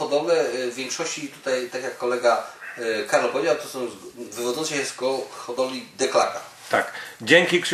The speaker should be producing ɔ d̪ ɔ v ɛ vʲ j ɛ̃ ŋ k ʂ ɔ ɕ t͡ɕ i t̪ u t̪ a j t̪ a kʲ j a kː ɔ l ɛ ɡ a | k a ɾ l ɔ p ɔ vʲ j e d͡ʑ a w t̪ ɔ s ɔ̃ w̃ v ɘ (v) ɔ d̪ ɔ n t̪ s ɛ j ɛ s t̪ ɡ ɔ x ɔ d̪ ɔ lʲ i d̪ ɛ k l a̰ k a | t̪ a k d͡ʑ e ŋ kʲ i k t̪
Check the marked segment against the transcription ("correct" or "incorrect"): correct